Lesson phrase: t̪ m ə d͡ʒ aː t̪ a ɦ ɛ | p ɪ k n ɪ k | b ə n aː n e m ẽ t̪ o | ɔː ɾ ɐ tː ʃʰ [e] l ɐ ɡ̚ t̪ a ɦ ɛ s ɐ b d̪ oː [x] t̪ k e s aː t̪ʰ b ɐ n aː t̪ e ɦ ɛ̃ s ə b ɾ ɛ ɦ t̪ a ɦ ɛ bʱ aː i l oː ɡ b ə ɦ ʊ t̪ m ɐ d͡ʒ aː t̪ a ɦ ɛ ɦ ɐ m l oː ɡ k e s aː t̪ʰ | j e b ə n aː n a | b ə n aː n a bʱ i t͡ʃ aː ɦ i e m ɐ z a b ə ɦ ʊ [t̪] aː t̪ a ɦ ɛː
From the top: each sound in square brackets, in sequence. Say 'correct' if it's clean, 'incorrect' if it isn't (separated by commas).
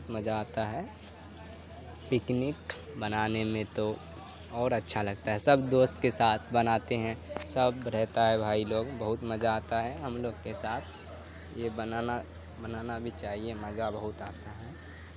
incorrect, incorrect, correct